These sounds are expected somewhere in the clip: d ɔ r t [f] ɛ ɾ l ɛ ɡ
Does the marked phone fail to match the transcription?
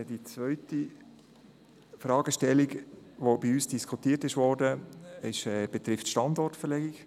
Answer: no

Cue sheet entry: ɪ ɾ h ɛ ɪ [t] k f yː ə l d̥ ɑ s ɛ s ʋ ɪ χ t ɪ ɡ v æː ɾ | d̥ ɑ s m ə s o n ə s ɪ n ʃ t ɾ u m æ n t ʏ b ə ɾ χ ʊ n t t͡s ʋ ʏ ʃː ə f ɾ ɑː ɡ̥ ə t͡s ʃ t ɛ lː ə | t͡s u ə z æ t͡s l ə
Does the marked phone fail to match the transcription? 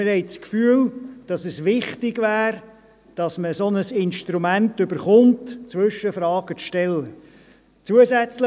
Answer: yes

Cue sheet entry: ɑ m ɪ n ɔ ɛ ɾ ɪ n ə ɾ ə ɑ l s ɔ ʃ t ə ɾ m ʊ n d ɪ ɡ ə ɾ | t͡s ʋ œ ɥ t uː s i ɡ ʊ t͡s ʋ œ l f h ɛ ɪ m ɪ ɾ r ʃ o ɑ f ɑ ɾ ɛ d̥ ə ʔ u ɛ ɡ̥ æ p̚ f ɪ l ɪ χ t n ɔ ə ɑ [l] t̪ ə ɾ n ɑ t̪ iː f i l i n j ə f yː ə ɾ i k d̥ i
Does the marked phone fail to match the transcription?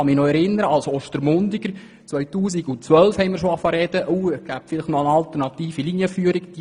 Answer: no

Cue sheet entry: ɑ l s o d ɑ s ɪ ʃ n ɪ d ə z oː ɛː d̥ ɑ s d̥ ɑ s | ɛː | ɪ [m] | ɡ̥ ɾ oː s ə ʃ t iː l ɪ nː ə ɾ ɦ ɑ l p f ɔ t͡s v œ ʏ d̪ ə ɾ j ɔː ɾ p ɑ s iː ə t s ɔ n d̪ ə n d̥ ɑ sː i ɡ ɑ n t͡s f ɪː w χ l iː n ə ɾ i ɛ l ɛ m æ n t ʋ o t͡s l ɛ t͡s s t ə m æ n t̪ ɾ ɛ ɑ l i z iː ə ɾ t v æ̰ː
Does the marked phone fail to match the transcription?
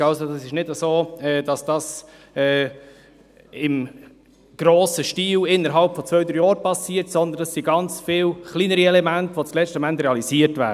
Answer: no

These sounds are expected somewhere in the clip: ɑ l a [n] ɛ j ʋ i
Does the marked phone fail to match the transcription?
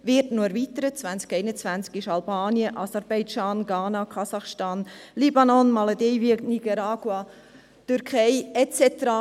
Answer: yes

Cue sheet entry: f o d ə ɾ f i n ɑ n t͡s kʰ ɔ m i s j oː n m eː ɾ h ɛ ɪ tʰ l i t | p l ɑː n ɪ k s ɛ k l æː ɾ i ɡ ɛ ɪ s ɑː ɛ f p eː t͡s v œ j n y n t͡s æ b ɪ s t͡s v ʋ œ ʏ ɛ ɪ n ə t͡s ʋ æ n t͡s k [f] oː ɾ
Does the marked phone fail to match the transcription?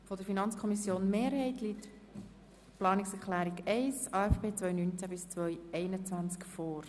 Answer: no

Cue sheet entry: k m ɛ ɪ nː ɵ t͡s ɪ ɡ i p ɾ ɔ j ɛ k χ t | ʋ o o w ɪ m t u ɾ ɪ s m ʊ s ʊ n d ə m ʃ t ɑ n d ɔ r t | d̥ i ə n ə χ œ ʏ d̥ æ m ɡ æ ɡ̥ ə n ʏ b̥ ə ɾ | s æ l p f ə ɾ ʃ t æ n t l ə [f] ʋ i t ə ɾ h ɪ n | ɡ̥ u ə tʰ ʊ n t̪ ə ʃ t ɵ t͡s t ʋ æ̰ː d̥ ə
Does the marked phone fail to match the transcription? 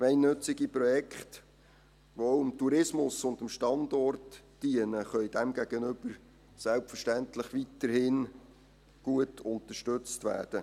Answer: yes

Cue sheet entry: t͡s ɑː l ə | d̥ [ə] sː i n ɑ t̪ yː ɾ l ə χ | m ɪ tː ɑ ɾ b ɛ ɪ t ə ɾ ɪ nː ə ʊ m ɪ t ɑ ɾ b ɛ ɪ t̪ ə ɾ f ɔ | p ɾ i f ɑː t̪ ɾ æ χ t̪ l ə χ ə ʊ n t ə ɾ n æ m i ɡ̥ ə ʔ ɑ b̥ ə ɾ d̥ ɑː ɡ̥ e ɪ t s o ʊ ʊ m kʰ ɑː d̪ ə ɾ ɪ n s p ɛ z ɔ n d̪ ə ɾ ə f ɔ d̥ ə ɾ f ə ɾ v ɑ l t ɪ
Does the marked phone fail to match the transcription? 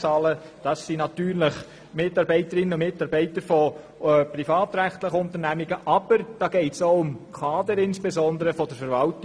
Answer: yes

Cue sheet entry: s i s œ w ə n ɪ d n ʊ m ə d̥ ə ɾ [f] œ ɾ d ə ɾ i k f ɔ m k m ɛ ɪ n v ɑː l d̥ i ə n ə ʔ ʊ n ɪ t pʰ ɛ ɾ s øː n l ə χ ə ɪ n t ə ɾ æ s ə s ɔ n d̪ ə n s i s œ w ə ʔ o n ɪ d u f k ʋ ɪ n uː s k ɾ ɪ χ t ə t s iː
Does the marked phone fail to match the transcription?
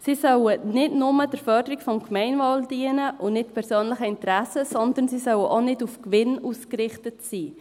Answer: no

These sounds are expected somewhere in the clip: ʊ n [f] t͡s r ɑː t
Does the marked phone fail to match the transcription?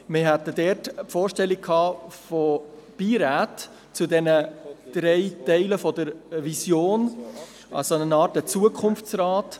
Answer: no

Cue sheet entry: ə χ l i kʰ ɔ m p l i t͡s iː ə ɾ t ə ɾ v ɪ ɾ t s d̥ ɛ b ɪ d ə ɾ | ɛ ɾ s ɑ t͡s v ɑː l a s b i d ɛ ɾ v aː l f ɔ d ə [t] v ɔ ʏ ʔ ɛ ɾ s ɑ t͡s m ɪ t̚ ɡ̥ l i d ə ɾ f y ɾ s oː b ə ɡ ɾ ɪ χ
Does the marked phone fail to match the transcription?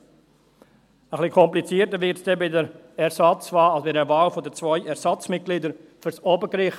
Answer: yes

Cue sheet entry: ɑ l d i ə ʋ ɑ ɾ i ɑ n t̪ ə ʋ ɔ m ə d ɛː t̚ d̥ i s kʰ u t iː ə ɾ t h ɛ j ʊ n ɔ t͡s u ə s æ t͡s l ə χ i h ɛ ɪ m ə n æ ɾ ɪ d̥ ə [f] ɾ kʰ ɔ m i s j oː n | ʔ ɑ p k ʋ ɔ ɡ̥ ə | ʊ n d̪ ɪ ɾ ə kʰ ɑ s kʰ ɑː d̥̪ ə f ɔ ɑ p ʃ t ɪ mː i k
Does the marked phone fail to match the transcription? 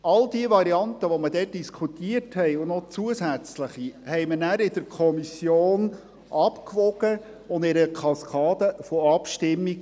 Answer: yes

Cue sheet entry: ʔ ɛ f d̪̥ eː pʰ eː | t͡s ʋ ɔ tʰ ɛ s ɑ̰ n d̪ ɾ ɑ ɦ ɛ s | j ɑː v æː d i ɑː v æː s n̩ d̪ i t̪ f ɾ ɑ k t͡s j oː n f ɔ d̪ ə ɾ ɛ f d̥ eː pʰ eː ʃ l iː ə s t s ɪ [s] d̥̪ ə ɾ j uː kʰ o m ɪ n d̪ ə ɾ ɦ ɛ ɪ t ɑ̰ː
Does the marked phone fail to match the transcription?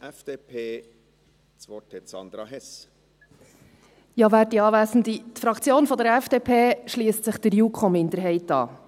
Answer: yes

